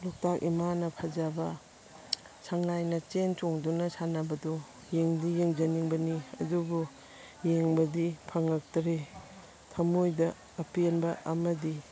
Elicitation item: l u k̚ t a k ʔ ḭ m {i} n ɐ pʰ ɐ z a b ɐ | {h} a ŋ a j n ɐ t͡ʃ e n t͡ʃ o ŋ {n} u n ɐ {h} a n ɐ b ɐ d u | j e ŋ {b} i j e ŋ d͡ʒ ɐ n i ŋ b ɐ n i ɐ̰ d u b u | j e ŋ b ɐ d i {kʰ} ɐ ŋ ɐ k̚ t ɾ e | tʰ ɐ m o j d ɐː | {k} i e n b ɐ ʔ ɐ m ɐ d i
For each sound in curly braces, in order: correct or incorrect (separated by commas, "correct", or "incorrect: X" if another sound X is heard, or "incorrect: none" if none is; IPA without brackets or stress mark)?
incorrect: a, incorrect: s, incorrect: d, incorrect: s, incorrect: d, incorrect: pʰ, incorrect: p